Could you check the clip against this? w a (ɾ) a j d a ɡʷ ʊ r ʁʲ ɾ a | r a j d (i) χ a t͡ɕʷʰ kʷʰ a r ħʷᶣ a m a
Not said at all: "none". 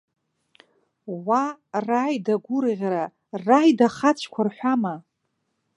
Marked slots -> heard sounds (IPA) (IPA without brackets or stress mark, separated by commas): r, a